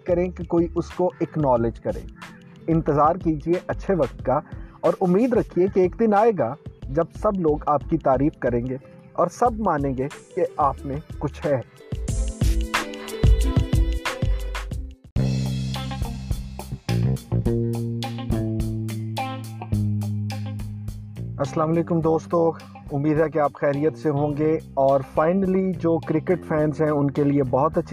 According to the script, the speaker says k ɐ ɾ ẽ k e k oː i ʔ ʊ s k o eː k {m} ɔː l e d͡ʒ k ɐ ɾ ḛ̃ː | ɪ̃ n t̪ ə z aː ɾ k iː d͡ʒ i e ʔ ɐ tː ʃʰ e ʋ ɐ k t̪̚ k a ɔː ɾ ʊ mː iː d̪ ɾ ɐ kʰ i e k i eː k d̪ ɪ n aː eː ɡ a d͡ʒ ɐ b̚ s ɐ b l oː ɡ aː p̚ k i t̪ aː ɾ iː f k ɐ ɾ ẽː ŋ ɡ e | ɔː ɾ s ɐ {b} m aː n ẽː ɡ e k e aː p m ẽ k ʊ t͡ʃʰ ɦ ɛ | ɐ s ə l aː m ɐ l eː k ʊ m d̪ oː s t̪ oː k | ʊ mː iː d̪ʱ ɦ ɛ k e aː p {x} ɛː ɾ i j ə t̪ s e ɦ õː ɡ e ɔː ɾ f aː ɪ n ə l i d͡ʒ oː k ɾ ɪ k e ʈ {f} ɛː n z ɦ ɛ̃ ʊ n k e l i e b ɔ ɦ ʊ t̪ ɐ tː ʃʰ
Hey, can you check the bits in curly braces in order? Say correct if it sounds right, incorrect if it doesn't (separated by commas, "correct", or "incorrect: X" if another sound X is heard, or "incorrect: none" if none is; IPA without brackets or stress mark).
incorrect: n, correct, correct, correct